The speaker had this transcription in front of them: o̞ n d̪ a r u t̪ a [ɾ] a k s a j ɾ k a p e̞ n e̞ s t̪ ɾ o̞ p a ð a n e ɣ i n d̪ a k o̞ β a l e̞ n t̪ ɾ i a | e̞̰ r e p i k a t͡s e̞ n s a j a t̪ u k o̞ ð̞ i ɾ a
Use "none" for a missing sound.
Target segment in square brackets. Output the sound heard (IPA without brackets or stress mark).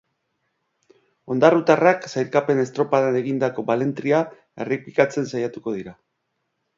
r